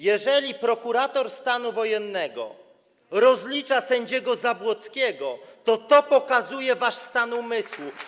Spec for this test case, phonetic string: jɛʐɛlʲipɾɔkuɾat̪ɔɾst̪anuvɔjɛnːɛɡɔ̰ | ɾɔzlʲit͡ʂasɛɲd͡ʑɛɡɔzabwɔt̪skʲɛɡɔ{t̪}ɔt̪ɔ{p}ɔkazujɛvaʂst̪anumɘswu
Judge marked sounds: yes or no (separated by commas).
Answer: yes, yes